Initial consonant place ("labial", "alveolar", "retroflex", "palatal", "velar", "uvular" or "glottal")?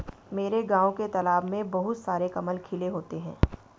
labial